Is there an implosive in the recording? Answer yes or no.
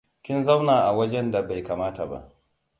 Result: no